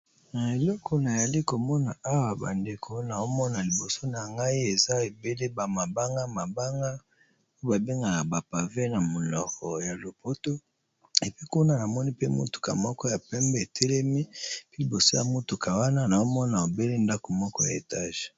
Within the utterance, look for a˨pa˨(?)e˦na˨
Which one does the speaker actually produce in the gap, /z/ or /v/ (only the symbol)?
v